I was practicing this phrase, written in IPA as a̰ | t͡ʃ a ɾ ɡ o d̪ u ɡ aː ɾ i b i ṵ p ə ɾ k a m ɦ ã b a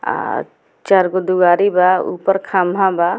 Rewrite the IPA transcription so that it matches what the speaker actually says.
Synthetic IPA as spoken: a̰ | t͡ʃ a ɾ ɡ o d̪ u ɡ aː ɾ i b a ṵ p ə ɾ kʰ a m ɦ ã b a